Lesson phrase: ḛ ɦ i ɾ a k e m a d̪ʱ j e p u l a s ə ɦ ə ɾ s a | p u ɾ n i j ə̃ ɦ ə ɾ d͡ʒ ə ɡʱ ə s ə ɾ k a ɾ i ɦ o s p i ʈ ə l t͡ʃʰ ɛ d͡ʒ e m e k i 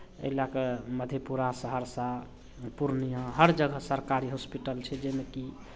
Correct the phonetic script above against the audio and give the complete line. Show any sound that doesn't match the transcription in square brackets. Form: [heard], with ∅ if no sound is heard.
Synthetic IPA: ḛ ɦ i [l] a k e m [ə] d̪ʱ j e p u [ɾ] a s ə ɦ ə ɾ s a | p u ɾ n i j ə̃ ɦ ə ɾ d͡ʒ ə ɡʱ ə s ə ɾ k a ɾ i ɦ o s p i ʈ ə l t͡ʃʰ ɛ d͡ʒ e m e k i